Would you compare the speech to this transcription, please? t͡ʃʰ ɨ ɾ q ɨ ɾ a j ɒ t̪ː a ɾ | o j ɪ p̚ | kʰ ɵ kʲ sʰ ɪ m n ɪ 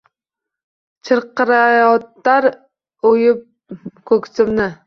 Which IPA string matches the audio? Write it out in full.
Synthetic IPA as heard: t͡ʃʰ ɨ ɾ q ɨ ɾ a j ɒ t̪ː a ɾ | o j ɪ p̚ | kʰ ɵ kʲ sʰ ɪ m n ɪ